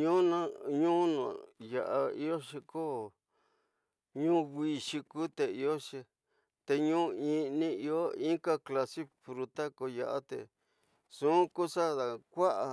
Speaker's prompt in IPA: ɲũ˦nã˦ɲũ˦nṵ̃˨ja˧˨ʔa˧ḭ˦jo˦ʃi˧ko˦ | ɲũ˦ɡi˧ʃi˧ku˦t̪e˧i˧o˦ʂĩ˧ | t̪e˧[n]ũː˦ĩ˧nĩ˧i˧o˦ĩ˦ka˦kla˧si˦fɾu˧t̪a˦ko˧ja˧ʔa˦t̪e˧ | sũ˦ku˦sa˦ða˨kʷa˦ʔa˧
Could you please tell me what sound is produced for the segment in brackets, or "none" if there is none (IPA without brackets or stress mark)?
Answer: ɲ